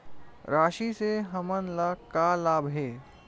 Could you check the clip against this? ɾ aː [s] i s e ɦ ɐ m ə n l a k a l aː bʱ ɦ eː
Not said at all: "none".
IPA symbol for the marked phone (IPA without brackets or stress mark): ʃ